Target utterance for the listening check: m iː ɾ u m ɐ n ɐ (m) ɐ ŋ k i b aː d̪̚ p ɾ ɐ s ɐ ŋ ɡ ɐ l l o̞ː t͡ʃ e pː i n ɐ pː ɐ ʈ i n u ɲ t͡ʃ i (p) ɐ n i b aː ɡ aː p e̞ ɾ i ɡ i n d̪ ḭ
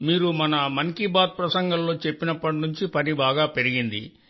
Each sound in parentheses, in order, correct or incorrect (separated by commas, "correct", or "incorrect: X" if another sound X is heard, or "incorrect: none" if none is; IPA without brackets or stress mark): correct, correct